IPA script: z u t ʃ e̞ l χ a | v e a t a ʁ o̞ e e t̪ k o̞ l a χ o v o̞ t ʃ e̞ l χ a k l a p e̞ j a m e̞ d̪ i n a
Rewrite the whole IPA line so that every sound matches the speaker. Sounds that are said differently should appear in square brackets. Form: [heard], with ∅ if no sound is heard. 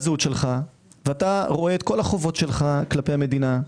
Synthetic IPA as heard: z u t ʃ e̞ l χ a | v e a t a ʁ o̞ e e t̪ k o̞ l a χ o v o̞ t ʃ e̞ l χ a k l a p e̞ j a m e̞ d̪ i n a